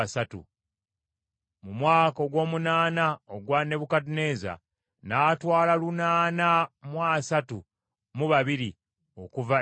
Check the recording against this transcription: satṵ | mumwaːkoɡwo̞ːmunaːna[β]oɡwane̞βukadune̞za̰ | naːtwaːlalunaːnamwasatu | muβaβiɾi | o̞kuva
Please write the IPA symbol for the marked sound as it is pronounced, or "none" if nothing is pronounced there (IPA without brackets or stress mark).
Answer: none